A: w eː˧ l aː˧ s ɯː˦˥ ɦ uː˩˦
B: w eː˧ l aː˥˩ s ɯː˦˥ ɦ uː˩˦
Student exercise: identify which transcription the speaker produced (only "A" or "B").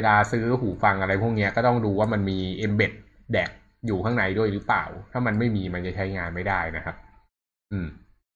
A